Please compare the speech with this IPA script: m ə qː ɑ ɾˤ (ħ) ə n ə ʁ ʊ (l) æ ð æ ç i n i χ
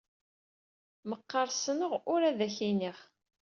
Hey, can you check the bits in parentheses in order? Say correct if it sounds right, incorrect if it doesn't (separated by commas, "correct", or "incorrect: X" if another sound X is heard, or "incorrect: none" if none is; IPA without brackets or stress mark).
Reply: incorrect: s, incorrect: ɾ